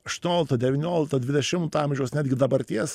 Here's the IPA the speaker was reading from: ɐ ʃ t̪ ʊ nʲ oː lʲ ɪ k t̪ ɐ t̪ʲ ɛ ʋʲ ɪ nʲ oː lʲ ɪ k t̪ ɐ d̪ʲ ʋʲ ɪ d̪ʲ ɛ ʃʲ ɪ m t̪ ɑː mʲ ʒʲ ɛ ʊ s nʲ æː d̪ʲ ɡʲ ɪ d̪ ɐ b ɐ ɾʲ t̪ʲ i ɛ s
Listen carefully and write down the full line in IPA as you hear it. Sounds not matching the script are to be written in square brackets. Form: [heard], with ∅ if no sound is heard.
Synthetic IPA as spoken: ɐ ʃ t̪ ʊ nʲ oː lʲ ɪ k t̪ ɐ [d̪ʲ] ɛ ʋʲ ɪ nʲ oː lʲ ɪ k t̪ ɐ d̪ʲ ʋʲ ɪ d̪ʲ ɛ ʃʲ ɪ m t̪ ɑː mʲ ʒʲ ɛ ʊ s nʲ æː d̪ʲ ɡʲ ɪ d̪ ɐ b ɐ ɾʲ t̪ʲ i ɛ s